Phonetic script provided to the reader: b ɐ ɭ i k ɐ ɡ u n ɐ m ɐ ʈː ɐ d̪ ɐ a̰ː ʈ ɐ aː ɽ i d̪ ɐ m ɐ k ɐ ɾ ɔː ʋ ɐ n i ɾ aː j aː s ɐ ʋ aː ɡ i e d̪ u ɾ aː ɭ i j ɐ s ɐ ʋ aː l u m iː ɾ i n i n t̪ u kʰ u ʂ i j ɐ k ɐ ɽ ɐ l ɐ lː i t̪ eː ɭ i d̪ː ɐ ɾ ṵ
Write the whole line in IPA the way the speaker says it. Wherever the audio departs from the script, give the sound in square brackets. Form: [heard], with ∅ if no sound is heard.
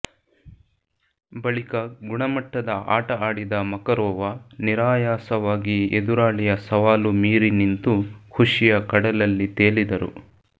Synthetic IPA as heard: b ɐ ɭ i k ɐ ɡ u [ɳ] ɐ m ɐ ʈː ɐ d̪ ɐ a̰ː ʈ ɐ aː ɽ i d̪ ɐ m ɐ k ɐ ɾ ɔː ʋ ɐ n i ɾ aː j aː s ɐ ʋ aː ɡ i e d̪ u ɾ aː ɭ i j ɐ s ɐ ʋ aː l u m iː ɾ i n i n t̪ u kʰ u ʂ i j ɐ k ɐ ɽ ɐ l ɐ lː i t̪ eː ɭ i [d̪] ɐ ɾ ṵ